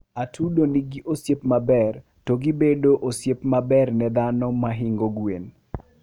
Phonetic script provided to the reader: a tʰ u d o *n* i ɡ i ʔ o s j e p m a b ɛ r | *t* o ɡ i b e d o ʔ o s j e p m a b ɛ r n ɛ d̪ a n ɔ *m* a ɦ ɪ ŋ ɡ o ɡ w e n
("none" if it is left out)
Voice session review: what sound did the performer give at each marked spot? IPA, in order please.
n, t, m

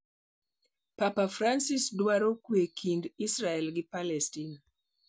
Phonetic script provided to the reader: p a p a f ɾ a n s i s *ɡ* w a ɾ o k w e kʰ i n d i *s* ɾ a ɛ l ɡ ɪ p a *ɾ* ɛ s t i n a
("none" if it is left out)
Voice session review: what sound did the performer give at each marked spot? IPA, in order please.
d, s, l

